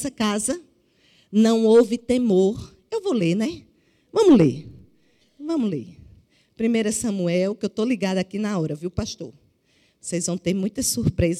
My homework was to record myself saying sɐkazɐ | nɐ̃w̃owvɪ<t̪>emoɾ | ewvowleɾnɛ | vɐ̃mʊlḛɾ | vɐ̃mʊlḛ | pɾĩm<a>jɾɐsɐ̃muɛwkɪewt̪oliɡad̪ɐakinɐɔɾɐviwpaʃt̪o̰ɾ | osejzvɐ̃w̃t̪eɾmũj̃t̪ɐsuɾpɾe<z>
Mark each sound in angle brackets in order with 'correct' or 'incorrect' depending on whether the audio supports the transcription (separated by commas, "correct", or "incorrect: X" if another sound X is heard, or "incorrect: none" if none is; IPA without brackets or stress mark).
correct, incorrect: e, correct